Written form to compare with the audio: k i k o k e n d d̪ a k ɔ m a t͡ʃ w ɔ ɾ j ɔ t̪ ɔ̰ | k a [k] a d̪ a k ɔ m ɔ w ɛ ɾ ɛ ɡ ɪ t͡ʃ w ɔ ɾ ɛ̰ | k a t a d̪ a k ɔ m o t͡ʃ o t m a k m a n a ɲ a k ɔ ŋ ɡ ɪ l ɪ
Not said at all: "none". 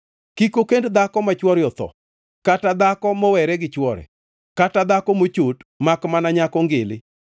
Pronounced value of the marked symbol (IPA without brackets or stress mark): t